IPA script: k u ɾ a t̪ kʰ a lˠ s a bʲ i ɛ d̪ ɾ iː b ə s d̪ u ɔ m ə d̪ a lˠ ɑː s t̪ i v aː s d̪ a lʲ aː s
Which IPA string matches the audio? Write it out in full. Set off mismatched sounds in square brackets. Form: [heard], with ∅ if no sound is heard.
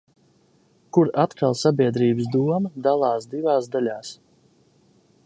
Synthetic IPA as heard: k u ɾ a t̪ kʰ a lˠ s a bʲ i ɛ d̪ ɾ iː b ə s d̪ u ɔ m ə d̪ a lˠ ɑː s [d̪] i v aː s d̪ a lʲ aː s